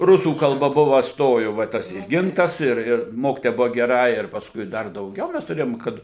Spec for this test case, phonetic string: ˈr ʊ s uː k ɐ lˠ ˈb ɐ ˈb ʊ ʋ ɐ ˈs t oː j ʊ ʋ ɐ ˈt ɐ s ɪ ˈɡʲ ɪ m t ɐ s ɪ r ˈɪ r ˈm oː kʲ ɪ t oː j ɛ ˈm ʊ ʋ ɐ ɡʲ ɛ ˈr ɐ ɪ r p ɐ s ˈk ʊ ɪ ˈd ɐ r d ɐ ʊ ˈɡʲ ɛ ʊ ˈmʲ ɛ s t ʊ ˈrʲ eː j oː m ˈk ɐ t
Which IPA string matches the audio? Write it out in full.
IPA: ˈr ʊ s uː k ɐ lˠ ˈb ɐ ˈb ʊ ʋ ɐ ˈs t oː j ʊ ʋ ɐ ˈt ɐ s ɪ ˈɡʲ ɪ n t ɐ s ɪ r ˈɪ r ˈm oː kʲ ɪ t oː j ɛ ˈb ʊ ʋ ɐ ɡʲ ɛ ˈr ɐ ɪ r p ɐ s ˈk ʊ ɪ ˈd ɐ r d ɐ ʊ ˈɡʲ ɛ ʊ ˈmʲ ɛ s t ʊ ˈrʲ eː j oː m ˈk ɐ t